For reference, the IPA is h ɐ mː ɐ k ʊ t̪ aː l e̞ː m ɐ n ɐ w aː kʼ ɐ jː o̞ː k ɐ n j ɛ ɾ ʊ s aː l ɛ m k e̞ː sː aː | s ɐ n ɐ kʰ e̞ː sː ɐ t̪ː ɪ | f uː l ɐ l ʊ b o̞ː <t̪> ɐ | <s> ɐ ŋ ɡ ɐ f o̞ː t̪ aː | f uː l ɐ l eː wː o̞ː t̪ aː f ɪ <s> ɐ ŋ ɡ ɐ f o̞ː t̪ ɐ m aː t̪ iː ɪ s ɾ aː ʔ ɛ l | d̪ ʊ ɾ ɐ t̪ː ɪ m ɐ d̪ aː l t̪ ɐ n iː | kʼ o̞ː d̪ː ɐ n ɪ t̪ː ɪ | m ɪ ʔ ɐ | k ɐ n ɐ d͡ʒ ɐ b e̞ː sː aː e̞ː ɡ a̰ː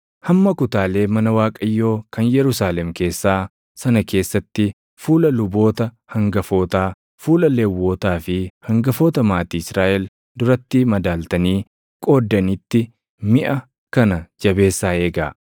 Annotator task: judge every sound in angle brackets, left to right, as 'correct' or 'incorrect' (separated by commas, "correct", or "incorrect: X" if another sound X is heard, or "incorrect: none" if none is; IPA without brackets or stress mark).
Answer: correct, incorrect: h, incorrect: h